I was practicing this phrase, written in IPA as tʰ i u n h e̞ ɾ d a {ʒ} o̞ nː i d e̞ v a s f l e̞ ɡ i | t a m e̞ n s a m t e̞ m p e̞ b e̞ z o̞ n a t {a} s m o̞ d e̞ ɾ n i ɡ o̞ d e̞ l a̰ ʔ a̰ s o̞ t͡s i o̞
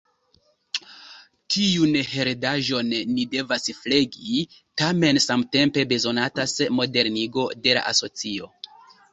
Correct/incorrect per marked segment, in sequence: correct, correct

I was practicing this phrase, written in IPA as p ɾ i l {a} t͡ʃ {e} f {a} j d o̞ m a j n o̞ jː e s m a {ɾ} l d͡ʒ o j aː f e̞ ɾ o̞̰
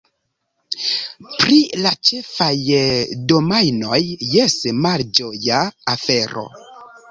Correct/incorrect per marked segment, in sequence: correct, correct, correct, incorrect

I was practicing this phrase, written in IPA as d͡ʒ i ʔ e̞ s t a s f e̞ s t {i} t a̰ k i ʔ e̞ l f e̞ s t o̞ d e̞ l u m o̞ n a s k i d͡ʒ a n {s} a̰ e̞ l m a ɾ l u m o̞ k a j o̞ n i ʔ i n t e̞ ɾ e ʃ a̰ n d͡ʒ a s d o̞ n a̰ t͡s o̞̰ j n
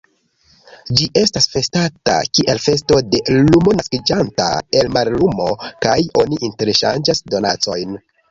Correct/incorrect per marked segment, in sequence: incorrect, incorrect

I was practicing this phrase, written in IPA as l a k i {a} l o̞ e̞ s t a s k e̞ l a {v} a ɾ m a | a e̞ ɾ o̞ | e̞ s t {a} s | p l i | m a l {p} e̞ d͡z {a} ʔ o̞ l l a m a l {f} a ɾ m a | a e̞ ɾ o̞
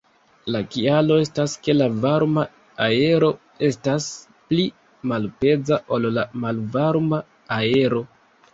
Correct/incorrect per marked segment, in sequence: correct, correct, correct, correct, correct, incorrect

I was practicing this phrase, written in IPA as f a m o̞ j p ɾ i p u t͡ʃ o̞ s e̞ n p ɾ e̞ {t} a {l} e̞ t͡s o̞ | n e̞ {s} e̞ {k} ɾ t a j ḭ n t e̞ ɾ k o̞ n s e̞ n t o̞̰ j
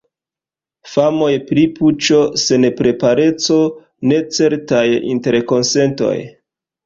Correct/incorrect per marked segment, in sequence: incorrect, incorrect, incorrect, incorrect

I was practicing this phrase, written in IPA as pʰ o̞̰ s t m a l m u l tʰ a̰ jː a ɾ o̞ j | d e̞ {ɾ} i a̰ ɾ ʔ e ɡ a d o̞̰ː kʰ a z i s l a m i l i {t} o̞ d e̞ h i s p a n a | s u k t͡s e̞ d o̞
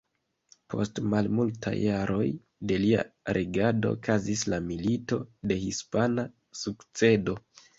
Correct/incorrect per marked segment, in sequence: incorrect, correct

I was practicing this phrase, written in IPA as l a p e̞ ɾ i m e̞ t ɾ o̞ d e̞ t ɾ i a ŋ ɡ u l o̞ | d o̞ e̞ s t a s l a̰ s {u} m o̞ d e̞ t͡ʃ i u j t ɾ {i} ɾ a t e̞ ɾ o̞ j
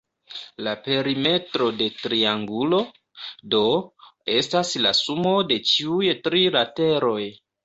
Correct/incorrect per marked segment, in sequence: correct, correct

